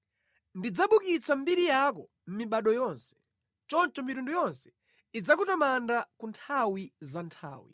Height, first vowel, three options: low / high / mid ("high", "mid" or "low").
high